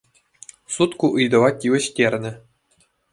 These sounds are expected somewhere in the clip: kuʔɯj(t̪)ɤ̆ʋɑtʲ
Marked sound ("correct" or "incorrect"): incorrect